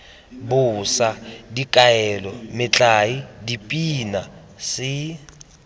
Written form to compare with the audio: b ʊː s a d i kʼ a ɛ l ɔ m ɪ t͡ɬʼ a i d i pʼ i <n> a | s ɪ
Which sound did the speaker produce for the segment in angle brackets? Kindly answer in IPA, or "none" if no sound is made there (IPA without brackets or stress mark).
n